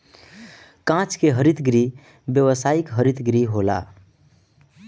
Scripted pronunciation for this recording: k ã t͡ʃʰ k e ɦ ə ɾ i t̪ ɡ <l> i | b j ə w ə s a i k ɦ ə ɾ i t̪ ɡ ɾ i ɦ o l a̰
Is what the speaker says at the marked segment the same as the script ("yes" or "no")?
no